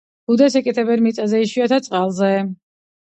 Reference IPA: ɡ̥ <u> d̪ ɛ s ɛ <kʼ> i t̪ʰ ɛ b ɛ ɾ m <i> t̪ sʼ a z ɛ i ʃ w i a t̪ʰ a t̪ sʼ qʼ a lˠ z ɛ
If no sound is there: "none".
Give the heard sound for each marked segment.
u, kʼ, i

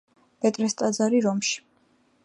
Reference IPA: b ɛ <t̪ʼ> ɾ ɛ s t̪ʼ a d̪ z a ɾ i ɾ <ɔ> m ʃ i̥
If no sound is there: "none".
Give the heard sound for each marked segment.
t̪ʼ, ɔ

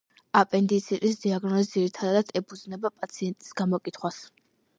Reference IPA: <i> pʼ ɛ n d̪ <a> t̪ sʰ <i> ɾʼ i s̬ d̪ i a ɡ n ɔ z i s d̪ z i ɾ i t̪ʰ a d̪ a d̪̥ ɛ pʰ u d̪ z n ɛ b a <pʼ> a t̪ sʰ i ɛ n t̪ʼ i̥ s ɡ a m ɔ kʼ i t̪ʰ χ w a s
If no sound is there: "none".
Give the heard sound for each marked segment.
a, i, i, pʼ

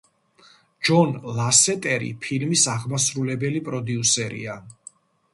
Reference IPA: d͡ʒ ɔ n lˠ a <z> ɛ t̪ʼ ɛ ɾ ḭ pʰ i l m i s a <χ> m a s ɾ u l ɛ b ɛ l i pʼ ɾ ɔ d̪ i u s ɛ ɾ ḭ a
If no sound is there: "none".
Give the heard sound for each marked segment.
s, ʁ

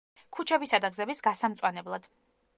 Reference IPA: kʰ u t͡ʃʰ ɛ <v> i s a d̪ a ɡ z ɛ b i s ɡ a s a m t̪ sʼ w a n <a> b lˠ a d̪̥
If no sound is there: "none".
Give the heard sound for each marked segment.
b, ɛ

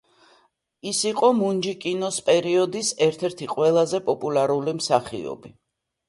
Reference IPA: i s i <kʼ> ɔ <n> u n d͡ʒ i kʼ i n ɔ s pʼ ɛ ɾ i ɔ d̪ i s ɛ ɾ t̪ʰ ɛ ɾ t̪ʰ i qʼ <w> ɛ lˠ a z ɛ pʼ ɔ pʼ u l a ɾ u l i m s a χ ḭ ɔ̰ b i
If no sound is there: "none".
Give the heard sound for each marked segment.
qʼ, m, w

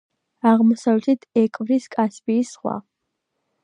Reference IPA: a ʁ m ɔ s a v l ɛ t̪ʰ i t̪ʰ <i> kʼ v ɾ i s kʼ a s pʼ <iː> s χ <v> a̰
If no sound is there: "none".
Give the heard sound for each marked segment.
ɛ, iː, w

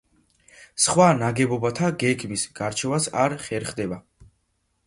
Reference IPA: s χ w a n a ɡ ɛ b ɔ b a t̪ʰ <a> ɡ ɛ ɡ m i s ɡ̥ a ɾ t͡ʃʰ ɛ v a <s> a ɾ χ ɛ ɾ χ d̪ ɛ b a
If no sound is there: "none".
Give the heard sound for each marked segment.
a, s

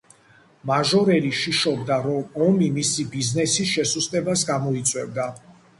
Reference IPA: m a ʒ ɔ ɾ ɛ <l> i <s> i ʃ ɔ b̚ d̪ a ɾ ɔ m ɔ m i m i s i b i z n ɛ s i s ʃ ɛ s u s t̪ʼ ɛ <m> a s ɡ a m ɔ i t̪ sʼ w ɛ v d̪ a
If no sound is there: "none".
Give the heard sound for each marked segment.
l, ʃ, b

